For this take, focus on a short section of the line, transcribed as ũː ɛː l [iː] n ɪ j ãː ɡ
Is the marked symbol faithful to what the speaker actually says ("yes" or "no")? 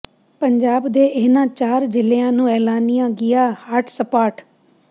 no